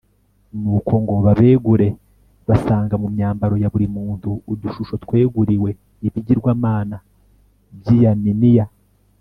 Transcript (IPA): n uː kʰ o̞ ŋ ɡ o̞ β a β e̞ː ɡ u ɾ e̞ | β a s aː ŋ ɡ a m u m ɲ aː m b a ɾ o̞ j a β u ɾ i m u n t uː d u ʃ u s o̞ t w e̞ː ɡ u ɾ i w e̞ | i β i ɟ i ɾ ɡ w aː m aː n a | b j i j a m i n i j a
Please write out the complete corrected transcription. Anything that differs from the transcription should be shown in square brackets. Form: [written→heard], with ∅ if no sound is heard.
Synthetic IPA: n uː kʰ o̞ ŋ ɡ o̞ β a β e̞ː ɡ u ɾ e̞ | β a s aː ŋ ɡ a m u m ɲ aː m b a ɾ o̞ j a β u ɾ i m [u→uː] n t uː d u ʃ u [s→ʃ] o̞ t w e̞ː ɡ u ɾ i w e̞ | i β i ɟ i ɾ ɡ w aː m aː n a | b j i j a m i n i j a